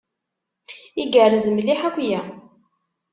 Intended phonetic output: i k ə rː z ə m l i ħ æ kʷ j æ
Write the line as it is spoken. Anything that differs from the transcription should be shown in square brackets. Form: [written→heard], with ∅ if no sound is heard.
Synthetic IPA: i [k→ɡ] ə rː z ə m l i ħ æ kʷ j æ